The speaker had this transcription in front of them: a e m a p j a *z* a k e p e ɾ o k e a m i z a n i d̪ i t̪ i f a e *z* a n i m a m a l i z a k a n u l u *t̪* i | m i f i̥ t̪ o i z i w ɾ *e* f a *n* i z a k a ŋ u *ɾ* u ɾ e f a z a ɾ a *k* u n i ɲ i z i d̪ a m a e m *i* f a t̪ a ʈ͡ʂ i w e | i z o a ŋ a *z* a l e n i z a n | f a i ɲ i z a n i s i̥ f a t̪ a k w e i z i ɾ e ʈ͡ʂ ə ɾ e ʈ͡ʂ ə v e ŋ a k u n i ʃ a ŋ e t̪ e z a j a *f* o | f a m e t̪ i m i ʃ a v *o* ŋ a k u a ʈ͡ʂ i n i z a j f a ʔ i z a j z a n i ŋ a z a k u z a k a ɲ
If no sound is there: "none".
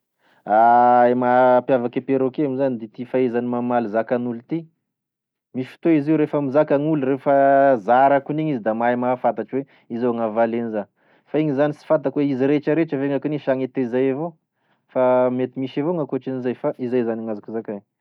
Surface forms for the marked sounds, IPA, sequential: v, z, t̪, e, m, l, k, a, v, v, o

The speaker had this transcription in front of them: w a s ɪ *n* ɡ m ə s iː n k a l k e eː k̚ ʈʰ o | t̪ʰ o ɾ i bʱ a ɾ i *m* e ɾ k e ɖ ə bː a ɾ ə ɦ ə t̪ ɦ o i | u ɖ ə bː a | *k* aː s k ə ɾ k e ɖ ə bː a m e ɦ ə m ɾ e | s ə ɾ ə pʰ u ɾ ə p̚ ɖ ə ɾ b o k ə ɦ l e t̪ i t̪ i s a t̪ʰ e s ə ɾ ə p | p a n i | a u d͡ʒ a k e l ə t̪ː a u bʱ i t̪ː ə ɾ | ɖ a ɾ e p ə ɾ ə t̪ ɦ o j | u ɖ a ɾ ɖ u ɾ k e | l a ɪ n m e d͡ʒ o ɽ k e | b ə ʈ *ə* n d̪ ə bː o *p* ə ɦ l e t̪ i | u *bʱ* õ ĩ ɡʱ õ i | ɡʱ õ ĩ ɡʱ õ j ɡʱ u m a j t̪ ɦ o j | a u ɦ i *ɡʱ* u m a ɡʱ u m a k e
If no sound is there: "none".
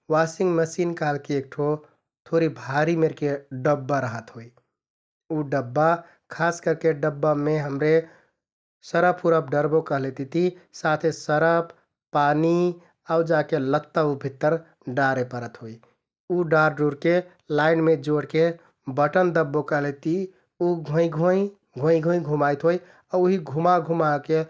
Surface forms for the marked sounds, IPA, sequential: ŋ, m, kʰ, ə, k, ɡʱ, ɡʱ

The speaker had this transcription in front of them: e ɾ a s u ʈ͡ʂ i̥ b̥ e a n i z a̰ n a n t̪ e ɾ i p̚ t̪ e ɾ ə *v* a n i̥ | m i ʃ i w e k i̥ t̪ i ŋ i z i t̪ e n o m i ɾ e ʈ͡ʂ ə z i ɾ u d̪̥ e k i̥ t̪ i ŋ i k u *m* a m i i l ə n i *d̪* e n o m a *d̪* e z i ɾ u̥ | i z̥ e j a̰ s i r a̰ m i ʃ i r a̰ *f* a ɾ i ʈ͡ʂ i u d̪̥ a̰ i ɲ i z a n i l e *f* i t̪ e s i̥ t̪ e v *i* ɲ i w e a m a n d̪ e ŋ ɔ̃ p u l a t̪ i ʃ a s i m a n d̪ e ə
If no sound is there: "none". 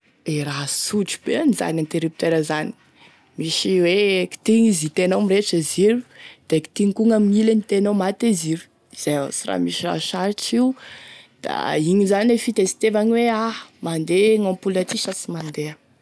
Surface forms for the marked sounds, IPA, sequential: z, ŋ, t̪, t̪, ʃ, f, a

